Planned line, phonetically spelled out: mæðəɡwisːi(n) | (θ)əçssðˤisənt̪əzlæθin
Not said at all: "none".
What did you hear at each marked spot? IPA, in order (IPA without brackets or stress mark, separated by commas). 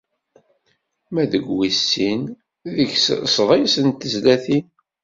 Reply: n, ð